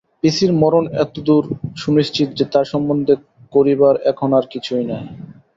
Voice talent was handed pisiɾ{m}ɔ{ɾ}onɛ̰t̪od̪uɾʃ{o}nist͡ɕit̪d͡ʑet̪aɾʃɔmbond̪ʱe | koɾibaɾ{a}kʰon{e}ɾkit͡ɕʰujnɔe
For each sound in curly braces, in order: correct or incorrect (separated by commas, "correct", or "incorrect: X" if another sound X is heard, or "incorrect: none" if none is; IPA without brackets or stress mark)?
correct, correct, incorrect: u, incorrect: ɛ, incorrect: a